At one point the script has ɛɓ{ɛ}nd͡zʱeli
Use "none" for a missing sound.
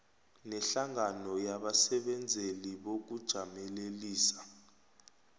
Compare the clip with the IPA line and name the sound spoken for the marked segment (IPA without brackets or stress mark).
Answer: ɛ